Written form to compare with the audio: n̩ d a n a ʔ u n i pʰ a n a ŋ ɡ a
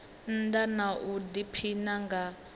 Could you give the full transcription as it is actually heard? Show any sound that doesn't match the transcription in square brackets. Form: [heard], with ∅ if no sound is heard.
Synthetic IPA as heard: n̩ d a n a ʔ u [d] i pʰ [i] n a ŋ ɡ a